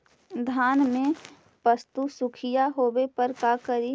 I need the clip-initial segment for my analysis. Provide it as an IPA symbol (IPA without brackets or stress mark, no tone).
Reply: d̪ʱ